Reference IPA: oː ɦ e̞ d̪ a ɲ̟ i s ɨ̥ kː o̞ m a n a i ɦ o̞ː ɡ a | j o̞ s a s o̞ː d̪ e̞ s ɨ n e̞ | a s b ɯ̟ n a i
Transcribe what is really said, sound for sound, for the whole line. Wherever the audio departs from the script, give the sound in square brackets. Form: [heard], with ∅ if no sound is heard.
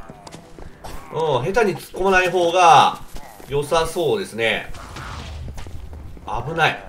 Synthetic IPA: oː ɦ e̞ [t̪] a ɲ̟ i [t͡s] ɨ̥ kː o̞ m a n a i ɦ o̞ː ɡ a | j o̞ s a s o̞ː d̪ e̞ s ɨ n e̞ | a [∅] b ɯ̟ n a i